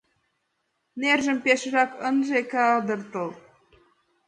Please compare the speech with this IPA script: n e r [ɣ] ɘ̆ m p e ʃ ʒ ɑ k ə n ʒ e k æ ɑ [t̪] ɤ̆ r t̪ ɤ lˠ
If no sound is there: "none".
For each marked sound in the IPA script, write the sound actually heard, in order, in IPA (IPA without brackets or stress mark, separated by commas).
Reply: ʒ, d̪